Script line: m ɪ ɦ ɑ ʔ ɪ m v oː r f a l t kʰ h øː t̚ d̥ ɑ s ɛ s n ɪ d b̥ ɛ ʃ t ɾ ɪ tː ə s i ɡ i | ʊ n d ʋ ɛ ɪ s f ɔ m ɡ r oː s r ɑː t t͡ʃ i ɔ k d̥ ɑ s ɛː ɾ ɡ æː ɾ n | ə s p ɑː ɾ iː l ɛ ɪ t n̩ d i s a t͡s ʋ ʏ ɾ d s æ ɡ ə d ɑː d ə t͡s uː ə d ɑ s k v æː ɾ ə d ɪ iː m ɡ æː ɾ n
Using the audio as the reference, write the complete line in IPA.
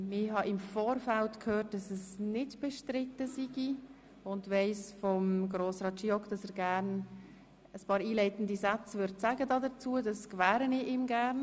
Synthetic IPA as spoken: m ɪ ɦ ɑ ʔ ɪ m f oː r f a l t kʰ h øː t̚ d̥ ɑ s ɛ s n ɪ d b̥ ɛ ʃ t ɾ ɪ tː ə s i ɡ i | ʊ n d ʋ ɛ ɪ s f ɔ m ɡ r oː s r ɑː t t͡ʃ i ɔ k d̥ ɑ s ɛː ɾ ɡ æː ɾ n | ə s p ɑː ɾ iː l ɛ ɪ t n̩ d i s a t͡s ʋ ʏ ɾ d s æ ɡ ə d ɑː d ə t͡s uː ə d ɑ s k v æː ɾ ə n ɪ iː m ɡ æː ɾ n